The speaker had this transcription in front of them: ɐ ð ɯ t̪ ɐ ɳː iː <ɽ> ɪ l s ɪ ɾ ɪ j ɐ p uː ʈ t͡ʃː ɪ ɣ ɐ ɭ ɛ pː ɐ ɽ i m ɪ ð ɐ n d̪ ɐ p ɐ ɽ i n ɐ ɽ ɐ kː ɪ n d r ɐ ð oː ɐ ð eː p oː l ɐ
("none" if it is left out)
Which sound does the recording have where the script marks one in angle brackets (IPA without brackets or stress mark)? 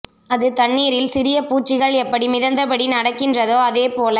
ɾ